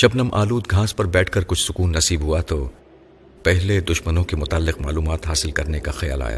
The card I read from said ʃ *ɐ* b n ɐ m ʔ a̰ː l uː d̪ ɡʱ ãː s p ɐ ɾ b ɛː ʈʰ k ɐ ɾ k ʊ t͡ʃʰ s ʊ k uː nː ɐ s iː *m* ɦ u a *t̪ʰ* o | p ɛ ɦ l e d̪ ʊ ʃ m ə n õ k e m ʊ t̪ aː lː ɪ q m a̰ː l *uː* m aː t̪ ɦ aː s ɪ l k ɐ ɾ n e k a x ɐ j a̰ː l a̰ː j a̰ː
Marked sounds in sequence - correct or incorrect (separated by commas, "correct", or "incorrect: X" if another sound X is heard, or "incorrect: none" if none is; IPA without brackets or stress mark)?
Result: correct, incorrect: b, incorrect: t̪, correct